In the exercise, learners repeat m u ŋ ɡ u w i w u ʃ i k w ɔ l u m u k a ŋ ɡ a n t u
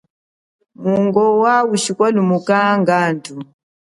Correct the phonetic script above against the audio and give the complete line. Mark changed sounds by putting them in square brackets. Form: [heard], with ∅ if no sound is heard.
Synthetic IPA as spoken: m u ŋ ɡ [ɔ] w [a] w u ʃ i k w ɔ l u m u k a ŋ ɡ a n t u

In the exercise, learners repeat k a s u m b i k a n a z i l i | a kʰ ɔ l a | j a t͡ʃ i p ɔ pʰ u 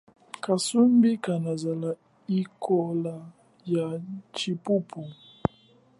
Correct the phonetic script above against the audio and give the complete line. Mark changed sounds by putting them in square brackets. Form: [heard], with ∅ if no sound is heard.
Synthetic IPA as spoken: k a s u m b i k a n a z [a] l [a] | [i] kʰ ɔ l a | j a t͡ʃ i p [u] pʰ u

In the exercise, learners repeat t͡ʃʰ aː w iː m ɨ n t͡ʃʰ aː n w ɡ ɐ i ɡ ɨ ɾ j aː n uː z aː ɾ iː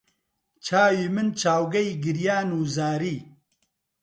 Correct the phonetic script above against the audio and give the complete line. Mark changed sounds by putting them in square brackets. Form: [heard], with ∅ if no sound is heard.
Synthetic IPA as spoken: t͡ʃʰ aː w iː m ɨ n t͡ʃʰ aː [∅] w ɡ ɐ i ɡ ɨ ɾ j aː n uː z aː ɾ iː

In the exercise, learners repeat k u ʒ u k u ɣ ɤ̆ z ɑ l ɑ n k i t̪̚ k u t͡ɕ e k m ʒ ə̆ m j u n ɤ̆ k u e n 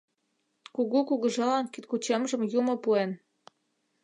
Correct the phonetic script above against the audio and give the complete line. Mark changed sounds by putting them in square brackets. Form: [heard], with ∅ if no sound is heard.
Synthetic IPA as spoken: k u [ɣ] u k u ɣ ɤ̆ [ʒ] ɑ l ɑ n k i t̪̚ k u t͡ɕ e [∅] m ʒ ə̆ m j u [m] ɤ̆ [p] u e n

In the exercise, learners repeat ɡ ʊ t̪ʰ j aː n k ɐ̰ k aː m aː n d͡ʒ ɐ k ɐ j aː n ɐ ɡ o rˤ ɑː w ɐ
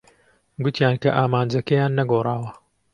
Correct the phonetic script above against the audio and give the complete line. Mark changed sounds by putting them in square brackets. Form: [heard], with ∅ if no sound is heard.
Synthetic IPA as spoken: ɡ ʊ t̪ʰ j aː n k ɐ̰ [ʔ] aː m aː n d͡ʒ ɐ k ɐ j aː [nː] ɐ ɡ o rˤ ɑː w ɐ

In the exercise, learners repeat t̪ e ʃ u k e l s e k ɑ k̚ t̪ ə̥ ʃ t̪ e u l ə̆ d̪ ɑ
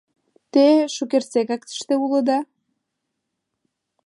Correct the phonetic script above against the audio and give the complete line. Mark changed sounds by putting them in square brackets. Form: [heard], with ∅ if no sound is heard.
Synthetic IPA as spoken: t̪ e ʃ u k e [r] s e k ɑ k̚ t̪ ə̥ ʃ t̪ e u l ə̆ d̪ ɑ

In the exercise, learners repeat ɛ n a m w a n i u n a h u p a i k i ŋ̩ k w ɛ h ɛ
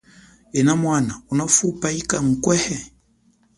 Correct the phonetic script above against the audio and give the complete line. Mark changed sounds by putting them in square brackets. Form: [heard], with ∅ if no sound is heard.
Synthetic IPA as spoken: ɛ n a m w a n [a] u n a [f] u p a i k [a] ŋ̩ k w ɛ h ɛ

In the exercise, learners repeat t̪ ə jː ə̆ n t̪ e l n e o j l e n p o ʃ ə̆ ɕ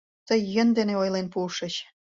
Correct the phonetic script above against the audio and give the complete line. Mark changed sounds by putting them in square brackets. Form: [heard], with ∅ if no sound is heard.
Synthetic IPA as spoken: t̪ ə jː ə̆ n [d̪] e [∅] n e o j l e n p [u] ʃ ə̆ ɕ

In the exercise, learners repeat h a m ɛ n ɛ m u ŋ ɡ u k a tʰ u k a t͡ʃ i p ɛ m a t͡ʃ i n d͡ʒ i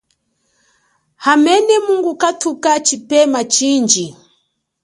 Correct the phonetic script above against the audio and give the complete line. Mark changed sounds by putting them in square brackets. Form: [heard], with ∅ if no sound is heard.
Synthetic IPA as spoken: h a m ɛ n ɛ m u ŋ ɡ u k a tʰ u k a t͡ʃ i p ɛ m a t͡ʃ i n d͡ʒ i

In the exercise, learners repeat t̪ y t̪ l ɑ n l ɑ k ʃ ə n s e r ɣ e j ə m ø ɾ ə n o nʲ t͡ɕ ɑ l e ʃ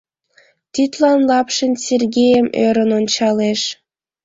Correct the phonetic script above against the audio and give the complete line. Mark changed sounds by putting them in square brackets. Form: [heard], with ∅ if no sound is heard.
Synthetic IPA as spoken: t̪ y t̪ l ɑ n l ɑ [p] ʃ ə n s e r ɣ e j ə m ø ɾ ə n o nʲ t͡ɕ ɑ l e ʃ

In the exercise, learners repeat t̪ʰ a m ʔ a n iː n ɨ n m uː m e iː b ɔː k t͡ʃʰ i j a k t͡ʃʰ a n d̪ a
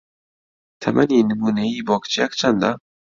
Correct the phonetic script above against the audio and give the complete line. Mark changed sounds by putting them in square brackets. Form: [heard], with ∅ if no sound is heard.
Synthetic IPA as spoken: t̪ʰ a m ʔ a n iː n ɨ [∅] m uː [n] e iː b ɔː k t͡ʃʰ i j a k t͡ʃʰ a n d̪ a

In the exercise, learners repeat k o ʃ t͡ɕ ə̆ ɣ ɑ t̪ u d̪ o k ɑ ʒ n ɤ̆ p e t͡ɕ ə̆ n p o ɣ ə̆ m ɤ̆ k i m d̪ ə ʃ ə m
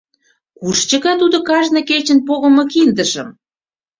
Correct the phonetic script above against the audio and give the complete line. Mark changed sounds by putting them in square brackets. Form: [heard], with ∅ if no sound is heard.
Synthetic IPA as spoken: k [u] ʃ t͡ɕ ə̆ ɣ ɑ t̪ u d̪ o k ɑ ʒ n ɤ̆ [k] e t͡ɕ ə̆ n p o ɣ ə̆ m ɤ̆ k i [n] d̪ ə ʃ ə m

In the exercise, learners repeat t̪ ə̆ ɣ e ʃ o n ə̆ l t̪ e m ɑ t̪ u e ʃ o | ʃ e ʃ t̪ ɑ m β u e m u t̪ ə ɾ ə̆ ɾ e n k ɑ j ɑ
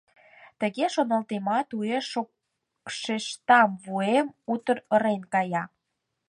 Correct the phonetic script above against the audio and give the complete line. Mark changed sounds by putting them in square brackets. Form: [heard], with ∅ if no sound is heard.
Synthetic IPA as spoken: t̪ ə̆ ɣ e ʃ o n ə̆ l t̪ e m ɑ t̪ u e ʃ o | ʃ e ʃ t̪ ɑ m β u e m u t̪ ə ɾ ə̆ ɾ e n k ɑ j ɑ

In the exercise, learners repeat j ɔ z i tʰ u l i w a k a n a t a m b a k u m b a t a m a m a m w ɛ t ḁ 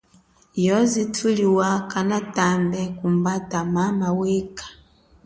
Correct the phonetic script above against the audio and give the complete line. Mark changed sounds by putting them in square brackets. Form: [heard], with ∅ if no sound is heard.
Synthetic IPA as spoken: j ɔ z i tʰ u l i w a k a n a t a m b [ɛ] k u m b a t a m a m a [∅] w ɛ [k] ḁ

